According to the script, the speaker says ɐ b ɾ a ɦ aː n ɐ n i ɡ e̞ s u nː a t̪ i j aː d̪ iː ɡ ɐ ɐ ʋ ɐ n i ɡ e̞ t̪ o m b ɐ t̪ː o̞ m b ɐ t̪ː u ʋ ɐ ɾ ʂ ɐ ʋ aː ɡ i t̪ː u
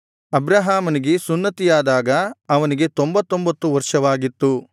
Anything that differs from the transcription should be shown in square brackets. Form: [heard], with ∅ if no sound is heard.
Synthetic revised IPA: ɐ b ɾ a ɦ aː [m] ɐ n i ɡ e̞ s u nː [ɐ] t̪ i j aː d̪ [aː] ɡ ɐ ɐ ʋ ɐ n i ɡ e̞ t̪ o m b ɐ t̪ː o̞ m b ɐ t̪ː u ʋ ɐ ɾ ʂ ɐ ʋ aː ɡ i t̪ː u